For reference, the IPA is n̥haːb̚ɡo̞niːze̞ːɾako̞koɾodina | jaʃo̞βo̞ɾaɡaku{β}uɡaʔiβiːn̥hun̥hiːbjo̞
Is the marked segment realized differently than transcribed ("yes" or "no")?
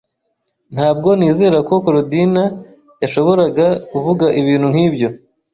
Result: yes